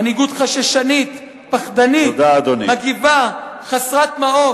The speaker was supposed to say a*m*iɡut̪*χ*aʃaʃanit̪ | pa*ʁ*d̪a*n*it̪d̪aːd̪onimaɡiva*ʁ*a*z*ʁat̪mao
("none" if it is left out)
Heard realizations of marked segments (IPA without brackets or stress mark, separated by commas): n, χ, χ, n, χ, s